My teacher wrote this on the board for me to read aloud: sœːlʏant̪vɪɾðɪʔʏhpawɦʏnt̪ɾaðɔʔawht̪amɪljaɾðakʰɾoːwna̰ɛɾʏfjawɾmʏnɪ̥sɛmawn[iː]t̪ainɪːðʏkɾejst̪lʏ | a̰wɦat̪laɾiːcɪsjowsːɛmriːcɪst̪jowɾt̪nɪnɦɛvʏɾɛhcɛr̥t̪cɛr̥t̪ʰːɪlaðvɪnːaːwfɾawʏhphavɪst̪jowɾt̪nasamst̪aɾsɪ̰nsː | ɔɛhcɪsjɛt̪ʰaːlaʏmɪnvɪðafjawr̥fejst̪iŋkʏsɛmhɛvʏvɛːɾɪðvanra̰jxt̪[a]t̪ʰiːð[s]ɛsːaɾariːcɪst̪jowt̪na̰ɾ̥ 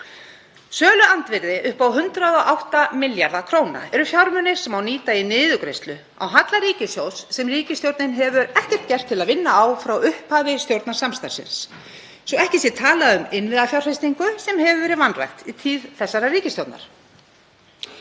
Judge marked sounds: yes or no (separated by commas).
yes, no, no